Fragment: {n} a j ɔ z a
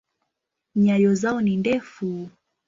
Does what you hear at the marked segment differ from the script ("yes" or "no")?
yes